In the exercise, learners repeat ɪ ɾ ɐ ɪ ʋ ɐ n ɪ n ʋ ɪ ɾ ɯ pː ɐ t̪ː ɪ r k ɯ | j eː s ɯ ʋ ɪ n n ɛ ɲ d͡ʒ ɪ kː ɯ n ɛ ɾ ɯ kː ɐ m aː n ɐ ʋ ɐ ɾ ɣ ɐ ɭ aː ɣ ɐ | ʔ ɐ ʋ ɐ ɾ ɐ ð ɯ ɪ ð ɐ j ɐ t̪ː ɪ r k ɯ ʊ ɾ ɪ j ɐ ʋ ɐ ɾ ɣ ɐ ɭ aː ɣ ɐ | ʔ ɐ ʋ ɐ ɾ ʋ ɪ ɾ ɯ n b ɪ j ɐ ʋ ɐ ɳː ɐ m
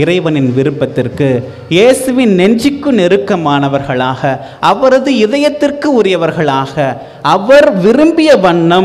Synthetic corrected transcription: ɪ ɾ ɐ ɪ ʋ ɐ n ɪ n ʋ ɪ ɾ ɯ pː ɐ t̪ː ɪ r k ɯ | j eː s ɯ ʋ ɪ n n ɛ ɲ d͡ʒ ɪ kː ɯ n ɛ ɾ ɯ kː ɐ m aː n ɐ ʋ ɐ ɾ ɣ ɐ ɭ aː ɣ ɐ | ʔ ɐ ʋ ɐ ɾ ɐ ð ɯ ɪ ð ɐ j ɐ t̪ː ɪ r k ɯ ʊ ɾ ɪ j ɐ ʋ ɐ ɾ ɣ ɐ ɭ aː ɣ ɐ | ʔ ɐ ʋ ɐ ɾ ʋ ɪ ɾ ɯ m b ɪ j ɐ ʋ ɐ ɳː ɐ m